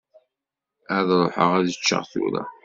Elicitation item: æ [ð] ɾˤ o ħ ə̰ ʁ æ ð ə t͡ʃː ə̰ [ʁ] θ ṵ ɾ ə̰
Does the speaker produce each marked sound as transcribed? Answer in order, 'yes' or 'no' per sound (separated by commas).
yes, yes